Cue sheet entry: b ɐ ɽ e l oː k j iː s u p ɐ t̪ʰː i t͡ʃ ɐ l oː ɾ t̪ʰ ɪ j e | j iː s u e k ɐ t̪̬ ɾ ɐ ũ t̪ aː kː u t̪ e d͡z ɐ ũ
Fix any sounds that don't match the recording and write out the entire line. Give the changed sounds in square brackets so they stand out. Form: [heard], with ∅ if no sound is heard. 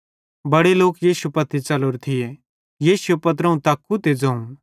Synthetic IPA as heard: b ɐ ɽ e l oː k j iː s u p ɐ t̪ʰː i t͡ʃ ɐ l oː ɾ t̪ʰ ɪ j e | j iː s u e [p] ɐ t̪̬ ɾ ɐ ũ t̪ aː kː u t̪ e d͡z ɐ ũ